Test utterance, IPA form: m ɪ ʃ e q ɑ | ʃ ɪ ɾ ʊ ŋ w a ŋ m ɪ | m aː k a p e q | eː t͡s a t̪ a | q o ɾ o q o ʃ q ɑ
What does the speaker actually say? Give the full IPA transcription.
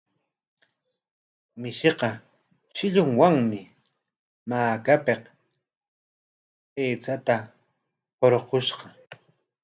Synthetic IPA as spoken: m ɪ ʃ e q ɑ | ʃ ɪ ʎ ʊ ŋ w a ŋ m ɪ | m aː k a p e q | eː t͡s a t̪ a | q o ɾ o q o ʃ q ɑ